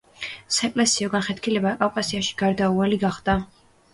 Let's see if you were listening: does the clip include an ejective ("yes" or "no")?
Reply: yes